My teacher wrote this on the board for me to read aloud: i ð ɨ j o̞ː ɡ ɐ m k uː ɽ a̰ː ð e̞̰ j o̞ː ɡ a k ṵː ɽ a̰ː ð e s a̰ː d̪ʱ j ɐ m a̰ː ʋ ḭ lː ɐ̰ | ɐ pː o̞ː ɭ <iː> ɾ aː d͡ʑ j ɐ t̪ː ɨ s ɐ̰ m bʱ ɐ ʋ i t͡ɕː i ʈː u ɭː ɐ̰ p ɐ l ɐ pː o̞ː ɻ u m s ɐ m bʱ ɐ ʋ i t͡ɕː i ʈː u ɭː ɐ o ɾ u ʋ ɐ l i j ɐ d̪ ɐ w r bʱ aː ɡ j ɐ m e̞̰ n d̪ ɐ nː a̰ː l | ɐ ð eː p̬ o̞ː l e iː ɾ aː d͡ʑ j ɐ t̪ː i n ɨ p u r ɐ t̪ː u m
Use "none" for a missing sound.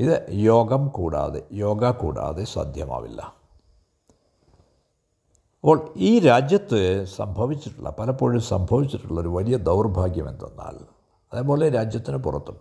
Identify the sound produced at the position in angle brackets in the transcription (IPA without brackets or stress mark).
iː